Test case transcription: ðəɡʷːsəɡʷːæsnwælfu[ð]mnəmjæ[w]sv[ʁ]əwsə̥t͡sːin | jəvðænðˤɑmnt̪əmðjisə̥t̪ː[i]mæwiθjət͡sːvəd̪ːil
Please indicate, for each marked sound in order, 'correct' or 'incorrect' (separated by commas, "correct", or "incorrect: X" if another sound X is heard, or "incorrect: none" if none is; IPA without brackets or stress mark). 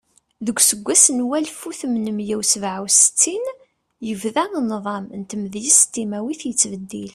incorrect: θ, correct, incorrect: ʕ, correct